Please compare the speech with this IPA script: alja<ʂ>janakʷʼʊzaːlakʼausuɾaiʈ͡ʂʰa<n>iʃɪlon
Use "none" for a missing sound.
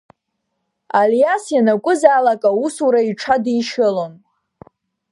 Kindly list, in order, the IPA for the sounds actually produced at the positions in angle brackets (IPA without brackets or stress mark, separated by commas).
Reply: s, d